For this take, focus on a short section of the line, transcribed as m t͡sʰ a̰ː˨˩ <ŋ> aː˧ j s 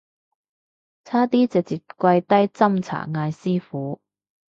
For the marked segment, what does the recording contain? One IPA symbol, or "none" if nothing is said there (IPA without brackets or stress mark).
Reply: ŋ